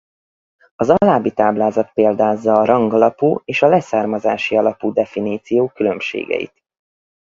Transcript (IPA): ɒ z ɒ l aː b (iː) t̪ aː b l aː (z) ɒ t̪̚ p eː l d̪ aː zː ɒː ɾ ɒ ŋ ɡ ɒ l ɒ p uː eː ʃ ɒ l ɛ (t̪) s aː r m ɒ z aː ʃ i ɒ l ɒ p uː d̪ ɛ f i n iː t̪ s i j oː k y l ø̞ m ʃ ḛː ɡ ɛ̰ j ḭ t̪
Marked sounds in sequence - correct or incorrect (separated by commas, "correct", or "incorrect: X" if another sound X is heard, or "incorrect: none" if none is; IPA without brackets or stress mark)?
incorrect: i, correct, incorrect: none